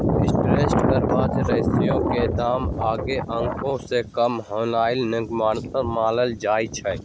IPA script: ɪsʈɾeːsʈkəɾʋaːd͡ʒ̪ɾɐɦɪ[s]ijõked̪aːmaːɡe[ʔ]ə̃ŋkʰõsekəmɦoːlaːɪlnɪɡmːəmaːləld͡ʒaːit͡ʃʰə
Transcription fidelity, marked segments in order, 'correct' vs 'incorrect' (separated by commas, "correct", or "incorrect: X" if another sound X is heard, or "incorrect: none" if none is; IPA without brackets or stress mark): correct, correct